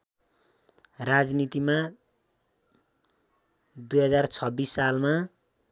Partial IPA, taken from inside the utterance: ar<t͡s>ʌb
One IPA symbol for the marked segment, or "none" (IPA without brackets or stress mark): t͡sʰ